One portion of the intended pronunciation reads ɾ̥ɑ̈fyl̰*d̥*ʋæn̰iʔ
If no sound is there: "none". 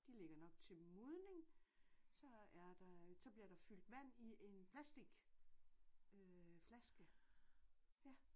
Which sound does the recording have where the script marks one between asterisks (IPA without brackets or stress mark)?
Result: d̥